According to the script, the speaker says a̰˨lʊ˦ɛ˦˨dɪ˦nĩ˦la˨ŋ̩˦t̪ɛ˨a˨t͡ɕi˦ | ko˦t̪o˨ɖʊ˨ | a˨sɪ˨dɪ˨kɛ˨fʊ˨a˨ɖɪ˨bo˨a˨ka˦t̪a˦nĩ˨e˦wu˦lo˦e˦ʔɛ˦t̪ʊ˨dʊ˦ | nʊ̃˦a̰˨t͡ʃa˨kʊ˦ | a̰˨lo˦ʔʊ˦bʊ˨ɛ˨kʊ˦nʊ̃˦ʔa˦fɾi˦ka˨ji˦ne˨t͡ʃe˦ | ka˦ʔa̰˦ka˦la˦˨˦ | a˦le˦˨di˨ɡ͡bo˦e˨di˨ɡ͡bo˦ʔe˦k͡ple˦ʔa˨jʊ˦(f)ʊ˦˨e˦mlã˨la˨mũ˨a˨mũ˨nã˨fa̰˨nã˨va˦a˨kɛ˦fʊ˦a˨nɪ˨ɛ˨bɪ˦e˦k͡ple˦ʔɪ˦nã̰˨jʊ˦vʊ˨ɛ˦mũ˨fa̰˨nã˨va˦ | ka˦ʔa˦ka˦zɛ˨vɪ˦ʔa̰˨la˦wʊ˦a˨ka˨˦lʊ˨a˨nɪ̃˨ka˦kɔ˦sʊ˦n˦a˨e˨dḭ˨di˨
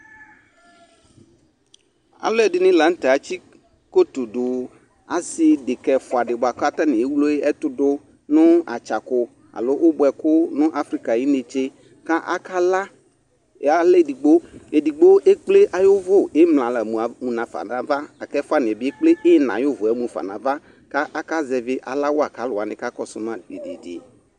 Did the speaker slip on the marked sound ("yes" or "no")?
yes